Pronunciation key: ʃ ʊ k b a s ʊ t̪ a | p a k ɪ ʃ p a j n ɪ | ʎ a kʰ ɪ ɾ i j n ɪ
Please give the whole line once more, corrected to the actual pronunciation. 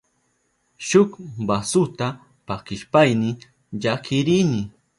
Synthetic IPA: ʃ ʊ k b a s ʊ t̪ a | p a k ɪ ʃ p a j n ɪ | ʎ a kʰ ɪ ɾ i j n ɪ